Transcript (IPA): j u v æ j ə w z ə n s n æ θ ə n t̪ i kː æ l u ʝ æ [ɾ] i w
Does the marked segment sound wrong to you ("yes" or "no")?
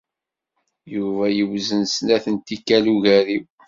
no